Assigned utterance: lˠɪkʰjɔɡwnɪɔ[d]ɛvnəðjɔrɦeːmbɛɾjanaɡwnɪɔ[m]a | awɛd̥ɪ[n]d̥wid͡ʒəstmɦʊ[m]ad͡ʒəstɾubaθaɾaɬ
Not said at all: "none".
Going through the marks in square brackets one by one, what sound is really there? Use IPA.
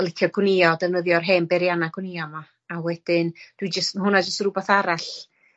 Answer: d, m, n, n

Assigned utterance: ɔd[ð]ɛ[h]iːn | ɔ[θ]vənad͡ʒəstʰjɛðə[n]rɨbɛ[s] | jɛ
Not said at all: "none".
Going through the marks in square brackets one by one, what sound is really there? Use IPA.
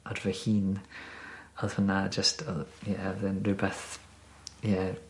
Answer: v, h, ð, n, θ

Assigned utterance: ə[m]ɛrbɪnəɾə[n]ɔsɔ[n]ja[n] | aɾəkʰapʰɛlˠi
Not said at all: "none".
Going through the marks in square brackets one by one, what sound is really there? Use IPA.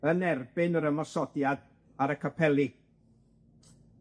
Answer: n, m, d, d

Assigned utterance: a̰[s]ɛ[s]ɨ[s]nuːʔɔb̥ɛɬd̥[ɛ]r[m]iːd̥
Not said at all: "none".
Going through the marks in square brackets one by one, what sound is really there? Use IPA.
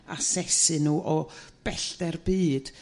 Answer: s, s, none, ɛ, b

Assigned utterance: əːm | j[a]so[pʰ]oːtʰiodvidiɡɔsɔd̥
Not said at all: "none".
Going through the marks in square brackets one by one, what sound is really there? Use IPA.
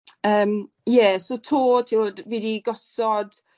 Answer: ɛ, tʰ

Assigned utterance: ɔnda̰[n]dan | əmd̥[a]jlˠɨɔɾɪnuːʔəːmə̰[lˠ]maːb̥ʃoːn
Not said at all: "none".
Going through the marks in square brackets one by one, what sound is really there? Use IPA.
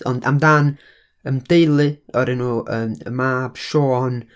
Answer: m, e, none

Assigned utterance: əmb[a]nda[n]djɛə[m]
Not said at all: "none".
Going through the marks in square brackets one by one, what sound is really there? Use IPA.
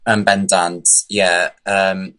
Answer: ɛ, n, m

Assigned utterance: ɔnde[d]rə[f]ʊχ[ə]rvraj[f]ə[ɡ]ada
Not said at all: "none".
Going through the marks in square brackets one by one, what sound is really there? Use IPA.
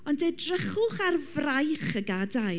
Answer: d, χ, a, χ, ɡ

